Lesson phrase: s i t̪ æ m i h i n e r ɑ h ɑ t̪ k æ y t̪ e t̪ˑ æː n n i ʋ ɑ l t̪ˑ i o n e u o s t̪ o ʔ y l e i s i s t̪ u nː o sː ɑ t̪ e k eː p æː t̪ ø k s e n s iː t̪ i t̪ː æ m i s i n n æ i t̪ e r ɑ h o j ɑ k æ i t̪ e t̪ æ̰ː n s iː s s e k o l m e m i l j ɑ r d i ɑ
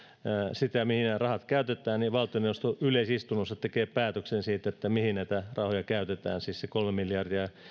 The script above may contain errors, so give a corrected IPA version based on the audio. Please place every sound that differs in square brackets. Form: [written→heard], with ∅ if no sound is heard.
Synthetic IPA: s i t̪ æ m i h i n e r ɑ h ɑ t̪ k æ y t̪ e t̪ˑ æː n n i ʋ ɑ l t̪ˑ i o n e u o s t̪ o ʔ y l e i s i s t̪ u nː o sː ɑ t̪ e k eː p æː t̪ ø k s e n s iː t̪ [i→e] t̪ː æ m i [s→h] i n n æ i t̪ [e→æ] r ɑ h o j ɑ k æ [i→y] t̪ e t̪ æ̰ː n s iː s s e k o l m e m i l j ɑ r d i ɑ